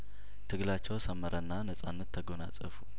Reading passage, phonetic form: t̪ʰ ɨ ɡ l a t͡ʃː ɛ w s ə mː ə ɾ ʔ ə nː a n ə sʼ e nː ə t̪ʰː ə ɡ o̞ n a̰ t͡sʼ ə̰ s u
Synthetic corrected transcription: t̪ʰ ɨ ɡ l a t͡ʃː ɛ w s ə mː ə ɾ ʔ ə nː a n ə sʼ a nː ə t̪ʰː ə ɡ o̞ n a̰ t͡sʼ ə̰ f u